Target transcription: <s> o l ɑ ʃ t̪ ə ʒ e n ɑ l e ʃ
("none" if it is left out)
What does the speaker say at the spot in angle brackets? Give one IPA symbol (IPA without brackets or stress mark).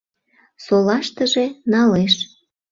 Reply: s